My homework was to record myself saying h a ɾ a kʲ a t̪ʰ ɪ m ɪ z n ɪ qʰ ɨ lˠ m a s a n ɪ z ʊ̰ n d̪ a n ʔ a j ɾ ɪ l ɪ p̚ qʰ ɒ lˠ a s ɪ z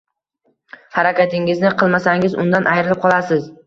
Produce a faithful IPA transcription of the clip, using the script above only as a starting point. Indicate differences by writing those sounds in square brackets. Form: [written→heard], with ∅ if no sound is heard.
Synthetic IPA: h a ɾ a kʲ a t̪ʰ ɪ [m→ŋ] ɪ z n ɪ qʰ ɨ lˠ m a s a [n→ŋ] ɪ z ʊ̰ n d̪ a n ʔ a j ɾ ɪ l ɪ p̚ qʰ ɒ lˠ a s ɪ z